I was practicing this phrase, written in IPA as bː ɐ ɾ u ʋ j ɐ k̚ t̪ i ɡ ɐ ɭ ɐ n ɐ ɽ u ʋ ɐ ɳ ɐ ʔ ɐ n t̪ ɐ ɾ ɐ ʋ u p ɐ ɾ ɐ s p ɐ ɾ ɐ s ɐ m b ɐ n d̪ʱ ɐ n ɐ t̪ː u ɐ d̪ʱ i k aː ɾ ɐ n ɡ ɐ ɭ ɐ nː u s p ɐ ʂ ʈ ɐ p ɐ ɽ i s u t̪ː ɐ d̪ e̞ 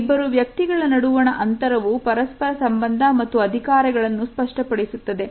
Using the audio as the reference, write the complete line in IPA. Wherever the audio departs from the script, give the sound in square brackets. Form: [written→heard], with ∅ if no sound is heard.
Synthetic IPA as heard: bː ɐ ɾ u ʋ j ɐ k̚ t̪ i ɡ ɐ ɭ ɐ n ɐ ɽ u ʋ ɐ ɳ ɐ ʔ ɐ n t̪ ɐ ɾ ɐ ʋ u p ɐ ɾ ɐ s p ɐ ɾ ɐ s ɐ m b ɐ n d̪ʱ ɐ [n→m] ɐ t̪ː u ɐ d̪ʱ i k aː ɾ ɐ [n→∅] ɡ ɐ ɭ ɐ nː u s p ɐ ʂ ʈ ɐ p ɐ ɽ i s u t̪ː ɐ d̪ e̞

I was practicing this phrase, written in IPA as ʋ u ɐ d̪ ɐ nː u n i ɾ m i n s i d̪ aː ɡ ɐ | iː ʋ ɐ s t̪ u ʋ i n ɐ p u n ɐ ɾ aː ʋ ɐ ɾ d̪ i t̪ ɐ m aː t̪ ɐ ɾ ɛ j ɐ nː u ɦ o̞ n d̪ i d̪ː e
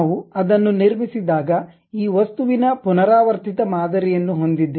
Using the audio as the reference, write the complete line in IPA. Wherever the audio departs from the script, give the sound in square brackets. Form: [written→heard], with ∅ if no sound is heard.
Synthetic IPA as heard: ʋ u ɐ d̪ ɐ nː u n i ɾ m i [n→∅] s i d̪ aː ɡ ɐ | iː ʋ ɐ s t̪ u ʋ i n ɐ p u n ɐ ɾ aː ʋ ɐ ɾ [d̪→t̪] i t̪ ɐ m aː [t̪→d̪] ɐ ɾ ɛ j ɐ nː u ɦ o̞ n d̪ i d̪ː e

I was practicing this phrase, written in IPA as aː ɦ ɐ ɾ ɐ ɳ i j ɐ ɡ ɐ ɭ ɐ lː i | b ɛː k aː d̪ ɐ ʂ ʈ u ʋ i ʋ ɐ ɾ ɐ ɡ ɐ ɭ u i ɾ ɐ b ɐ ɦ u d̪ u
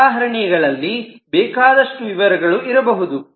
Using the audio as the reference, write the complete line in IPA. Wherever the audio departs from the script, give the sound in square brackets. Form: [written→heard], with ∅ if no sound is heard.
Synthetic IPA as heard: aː ɦ ɐ ɾ ɐ ɳ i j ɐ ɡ ɐ ɭ ɐ lː i | b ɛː k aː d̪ ɐ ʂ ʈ u ʋ i ʋ ɐ ɾ ɐ ɡ ɐ ɭ u i ɾ ɐ b ɐ ɦ u d̪ u

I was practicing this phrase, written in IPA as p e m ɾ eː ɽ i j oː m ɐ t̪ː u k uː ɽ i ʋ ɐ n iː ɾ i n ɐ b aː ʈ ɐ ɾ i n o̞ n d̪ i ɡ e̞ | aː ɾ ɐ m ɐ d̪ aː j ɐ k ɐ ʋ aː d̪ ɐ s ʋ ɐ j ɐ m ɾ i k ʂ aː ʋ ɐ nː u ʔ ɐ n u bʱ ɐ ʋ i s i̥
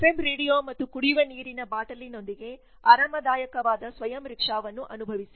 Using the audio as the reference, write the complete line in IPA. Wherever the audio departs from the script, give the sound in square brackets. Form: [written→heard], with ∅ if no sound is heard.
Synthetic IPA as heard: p e m ɾ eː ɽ i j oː m ɐ t̪ː u k [uː→u] ɽ i ʋ ɐ n iː ɾ i n ɐ b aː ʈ ɐ [ɾ→l] i n o̞ n d̪ i ɡ e̞ | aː ɾ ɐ m ɐ d̪ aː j ɐ k ɐ ʋ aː d̪ ɐ s ʋ ɐ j ɐ m ɾ i k ʂ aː ʋ ɐ nː u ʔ ɐ n u bʱ ɐ ʋ i s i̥

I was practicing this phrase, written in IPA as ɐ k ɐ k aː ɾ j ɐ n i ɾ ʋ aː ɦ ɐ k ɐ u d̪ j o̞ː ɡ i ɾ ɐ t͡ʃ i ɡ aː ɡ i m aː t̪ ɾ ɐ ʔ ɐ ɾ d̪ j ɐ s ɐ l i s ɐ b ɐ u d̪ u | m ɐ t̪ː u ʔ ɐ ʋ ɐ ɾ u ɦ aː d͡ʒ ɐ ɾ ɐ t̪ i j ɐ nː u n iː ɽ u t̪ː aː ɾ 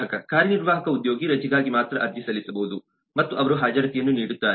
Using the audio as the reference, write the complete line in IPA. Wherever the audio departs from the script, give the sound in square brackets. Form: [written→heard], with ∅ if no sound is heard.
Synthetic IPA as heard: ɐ k ɐ k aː ɾ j ɐ n i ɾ ʋ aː ɦ ɐ k ɐ u d̪ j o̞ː ɡ i ɾ ɐ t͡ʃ i ɡ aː ɡ i m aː t̪ ɾ ɐ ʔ ɐ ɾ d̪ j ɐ s ɐ l i s ɐ b ɐ u d̪ u | m ɐ t̪ː u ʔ ɐ ʋ ɐ ɾ u ɦ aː d͡ʒ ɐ ɾ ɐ t̪ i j ɐ nː u n iː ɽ u t̪ː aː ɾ

